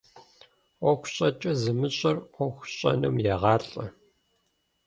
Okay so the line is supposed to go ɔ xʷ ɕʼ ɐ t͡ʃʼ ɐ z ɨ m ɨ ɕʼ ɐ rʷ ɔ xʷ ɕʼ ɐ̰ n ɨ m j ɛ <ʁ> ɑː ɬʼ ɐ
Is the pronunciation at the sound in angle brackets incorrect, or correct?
correct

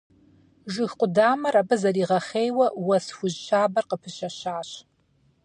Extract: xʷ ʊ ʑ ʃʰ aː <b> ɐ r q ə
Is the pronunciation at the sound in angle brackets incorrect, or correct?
correct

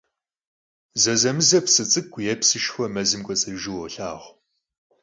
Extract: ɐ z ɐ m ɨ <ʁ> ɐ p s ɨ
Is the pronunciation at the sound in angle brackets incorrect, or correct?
incorrect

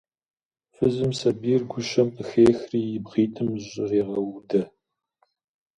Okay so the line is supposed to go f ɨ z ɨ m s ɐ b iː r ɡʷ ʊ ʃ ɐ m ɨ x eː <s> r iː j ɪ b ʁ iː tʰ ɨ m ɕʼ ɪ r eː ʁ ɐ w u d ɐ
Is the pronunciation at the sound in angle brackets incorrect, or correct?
incorrect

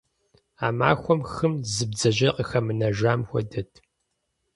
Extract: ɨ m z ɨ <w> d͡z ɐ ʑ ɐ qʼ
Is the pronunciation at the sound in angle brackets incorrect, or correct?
incorrect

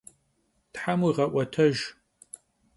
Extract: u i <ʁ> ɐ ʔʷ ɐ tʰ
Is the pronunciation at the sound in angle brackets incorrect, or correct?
correct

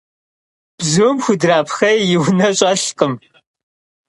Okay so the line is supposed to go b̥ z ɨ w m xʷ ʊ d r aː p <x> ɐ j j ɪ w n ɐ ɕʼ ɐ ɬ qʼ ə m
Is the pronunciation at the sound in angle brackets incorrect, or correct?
correct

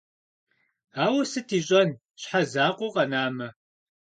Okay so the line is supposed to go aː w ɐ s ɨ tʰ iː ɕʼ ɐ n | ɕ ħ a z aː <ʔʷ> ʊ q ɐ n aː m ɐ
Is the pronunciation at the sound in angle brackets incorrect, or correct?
incorrect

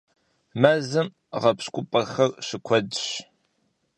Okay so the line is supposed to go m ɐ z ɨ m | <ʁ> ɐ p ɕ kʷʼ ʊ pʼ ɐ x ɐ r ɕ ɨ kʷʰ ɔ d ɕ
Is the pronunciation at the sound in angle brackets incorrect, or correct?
correct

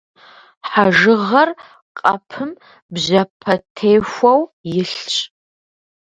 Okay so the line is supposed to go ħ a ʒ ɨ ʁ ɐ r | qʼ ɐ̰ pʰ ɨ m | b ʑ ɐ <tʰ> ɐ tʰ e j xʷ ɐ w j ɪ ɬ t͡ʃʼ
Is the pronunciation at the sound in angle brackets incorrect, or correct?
incorrect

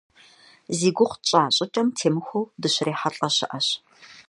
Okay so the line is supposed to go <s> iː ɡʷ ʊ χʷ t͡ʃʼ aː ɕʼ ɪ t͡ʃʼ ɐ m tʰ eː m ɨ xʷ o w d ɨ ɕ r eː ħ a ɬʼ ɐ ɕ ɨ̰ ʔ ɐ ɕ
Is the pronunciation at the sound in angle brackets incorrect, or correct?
incorrect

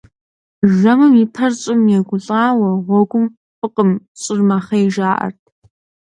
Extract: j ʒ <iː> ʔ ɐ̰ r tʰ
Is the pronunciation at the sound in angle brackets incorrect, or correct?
incorrect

